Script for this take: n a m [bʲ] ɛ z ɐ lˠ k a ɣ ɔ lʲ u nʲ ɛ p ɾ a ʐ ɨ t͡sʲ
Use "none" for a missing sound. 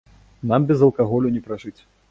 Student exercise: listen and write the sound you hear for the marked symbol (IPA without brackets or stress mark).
bʲ